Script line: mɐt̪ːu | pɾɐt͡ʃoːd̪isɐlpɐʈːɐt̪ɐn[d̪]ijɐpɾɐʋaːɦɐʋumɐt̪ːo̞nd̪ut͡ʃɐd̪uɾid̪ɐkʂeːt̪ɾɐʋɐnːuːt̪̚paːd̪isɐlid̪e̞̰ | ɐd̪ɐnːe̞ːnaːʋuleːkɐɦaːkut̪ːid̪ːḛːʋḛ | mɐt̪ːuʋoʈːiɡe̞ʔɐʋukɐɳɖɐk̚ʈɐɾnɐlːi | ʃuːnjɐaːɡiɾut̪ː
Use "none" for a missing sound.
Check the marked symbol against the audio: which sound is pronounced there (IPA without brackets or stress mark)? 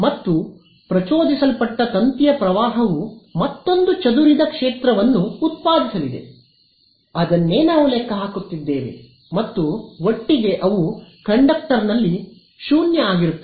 t̪